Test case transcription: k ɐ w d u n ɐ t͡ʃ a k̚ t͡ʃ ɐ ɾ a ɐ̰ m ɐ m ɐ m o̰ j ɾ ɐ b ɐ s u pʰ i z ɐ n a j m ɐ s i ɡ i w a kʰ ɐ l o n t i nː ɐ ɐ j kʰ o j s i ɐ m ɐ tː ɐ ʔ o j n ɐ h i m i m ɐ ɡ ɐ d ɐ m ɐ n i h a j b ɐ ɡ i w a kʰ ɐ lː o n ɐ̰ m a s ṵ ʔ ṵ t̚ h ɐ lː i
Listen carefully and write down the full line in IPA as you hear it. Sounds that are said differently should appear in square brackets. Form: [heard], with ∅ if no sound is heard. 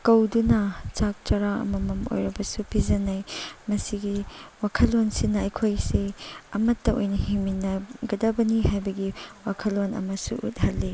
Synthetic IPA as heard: k ɐ w d u n ɐ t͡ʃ a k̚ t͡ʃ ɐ ɾ a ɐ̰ m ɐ m ɐ m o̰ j ɾ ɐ b ɐ s u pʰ i z ɐ n a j m ɐ s i ɡ i w a kʰ ɐ l o n [s] i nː ɐ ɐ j kʰ o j s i ɐ m ɐ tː ɐ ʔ o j n ɐ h i m i [n] ɐ ɡ ɐ d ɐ [b] ɐ n i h a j b ɐ ɡ i w a kʰ ɐ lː o n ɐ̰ m [ɐ] s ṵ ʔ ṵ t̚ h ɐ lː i